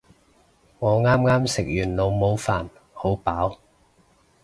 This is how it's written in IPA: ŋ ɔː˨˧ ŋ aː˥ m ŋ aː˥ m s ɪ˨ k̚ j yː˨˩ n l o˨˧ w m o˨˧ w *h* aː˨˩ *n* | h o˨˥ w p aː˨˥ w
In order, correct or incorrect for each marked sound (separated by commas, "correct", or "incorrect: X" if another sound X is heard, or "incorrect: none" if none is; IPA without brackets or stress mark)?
incorrect: f, correct